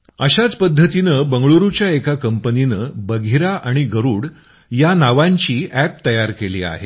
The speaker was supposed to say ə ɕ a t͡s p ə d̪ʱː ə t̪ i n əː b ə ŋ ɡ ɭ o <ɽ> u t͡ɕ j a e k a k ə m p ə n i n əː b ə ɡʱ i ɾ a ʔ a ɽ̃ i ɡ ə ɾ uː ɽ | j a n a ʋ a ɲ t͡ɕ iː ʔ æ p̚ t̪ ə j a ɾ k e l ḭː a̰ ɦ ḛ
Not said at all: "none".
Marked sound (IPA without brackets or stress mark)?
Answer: ɾ